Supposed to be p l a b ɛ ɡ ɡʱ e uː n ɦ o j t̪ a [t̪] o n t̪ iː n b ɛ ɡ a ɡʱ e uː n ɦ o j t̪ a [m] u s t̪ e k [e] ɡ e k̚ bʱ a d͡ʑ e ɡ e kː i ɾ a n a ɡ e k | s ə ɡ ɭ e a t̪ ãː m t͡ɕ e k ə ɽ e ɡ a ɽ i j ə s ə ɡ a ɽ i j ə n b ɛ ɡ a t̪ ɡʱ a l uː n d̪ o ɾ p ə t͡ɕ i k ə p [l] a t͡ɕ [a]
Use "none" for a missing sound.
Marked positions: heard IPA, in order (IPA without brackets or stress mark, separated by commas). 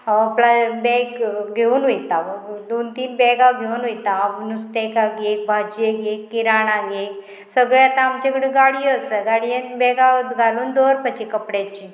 d̪, n, a, ɽ, i